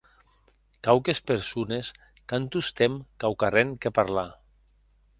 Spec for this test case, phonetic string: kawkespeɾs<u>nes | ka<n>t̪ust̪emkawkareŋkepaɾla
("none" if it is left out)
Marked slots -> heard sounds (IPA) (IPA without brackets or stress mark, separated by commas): u, n